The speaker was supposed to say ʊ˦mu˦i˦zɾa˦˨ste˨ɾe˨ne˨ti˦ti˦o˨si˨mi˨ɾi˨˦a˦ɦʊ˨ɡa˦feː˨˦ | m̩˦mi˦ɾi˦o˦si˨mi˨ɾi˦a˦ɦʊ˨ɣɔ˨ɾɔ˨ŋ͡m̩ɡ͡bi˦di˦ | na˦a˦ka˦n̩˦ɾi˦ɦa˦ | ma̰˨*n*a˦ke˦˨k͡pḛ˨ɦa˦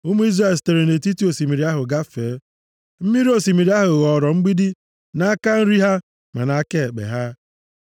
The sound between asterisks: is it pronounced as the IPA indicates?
yes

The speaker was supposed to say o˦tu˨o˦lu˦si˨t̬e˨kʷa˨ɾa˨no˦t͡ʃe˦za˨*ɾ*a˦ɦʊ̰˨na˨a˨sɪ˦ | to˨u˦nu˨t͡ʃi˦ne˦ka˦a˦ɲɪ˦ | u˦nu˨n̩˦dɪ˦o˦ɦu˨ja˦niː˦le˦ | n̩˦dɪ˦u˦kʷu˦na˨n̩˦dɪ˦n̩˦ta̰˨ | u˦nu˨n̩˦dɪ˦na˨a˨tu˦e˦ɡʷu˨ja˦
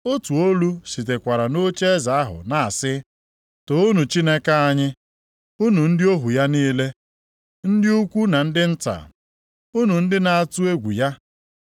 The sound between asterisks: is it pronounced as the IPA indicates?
no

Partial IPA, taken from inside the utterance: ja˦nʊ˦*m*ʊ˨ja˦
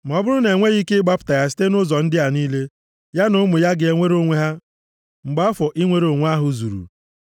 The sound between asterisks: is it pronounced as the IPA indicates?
yes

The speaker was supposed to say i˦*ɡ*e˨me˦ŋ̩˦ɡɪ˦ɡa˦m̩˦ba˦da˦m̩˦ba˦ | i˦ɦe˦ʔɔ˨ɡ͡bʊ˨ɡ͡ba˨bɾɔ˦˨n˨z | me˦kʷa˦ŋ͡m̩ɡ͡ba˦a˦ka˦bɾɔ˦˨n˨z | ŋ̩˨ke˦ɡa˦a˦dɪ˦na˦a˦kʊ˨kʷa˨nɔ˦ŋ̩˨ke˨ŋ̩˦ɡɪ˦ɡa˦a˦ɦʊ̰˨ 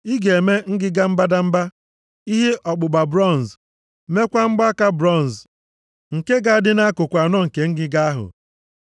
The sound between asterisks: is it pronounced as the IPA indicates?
yes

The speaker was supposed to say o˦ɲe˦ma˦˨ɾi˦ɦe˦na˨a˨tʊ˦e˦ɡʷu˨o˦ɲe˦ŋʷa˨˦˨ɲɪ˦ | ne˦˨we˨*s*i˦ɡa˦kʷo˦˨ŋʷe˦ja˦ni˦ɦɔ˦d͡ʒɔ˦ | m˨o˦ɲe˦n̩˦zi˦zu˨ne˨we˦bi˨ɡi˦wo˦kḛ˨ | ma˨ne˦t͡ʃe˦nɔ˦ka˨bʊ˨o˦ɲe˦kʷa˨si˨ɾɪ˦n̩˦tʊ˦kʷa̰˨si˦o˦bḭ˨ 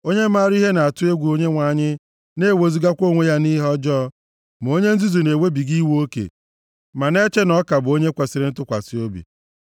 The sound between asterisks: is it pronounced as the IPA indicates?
no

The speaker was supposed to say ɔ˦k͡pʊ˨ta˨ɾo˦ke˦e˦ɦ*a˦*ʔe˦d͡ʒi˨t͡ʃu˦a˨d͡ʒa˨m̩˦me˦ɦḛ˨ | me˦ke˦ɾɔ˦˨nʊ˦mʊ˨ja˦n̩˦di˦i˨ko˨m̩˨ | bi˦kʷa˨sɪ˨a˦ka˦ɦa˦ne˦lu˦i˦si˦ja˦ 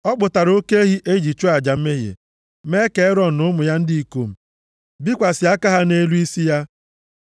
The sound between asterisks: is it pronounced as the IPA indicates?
no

